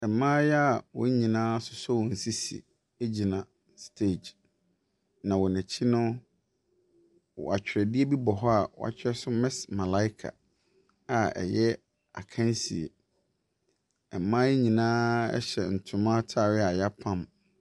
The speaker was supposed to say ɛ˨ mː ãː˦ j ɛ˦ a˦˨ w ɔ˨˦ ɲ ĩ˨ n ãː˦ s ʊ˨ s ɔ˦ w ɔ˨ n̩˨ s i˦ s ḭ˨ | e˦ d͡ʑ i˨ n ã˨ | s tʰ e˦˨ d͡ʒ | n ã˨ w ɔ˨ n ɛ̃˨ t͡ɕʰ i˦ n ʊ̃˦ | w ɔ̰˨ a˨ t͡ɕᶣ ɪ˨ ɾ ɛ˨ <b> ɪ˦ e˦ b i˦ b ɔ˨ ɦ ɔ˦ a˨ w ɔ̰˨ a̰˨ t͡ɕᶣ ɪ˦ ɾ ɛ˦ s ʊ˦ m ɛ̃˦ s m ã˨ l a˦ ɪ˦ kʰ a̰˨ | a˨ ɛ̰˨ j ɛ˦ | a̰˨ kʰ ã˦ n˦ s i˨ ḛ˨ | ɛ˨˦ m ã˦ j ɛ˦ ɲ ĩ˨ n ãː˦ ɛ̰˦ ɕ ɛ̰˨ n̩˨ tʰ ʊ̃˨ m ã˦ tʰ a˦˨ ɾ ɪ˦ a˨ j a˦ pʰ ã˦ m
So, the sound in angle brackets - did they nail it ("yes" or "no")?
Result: no